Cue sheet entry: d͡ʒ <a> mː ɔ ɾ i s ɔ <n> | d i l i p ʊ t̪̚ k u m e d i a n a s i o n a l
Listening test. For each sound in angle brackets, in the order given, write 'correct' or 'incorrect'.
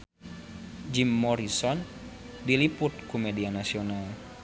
incorrect: i, correct

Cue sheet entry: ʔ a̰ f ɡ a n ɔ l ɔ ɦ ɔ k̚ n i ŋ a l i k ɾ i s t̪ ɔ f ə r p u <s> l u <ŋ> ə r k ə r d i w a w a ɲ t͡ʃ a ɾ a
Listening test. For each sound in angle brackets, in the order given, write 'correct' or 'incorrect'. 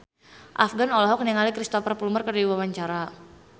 incorrect: none, incorrect: m

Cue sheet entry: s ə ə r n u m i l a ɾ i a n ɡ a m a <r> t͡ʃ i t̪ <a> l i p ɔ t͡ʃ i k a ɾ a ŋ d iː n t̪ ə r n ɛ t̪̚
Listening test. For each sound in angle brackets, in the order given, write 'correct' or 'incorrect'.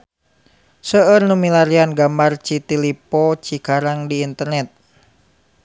correct, incorrect: i

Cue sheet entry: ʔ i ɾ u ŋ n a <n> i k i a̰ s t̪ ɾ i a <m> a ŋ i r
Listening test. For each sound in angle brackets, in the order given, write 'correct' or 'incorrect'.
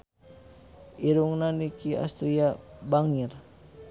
correct, incorrect: b

